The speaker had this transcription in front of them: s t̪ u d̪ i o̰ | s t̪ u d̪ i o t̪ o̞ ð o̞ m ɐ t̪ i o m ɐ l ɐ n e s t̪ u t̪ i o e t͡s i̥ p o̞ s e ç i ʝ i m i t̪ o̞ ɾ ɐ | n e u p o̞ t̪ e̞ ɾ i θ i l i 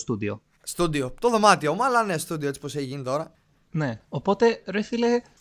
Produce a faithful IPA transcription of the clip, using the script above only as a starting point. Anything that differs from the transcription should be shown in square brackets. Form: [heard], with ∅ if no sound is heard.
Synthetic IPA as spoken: s t̪ u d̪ i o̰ | s t̪ u d̪ i o t̪ o̞ ð o̞ m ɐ t̪ i o m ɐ l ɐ n e s t̪ u [d̪] i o e t͡s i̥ p o̞ s e ç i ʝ i [n] i t̪ o̞ ɾ ɐ | n e [o] p o̞ t̪ e̞ ɾ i θ i l [e]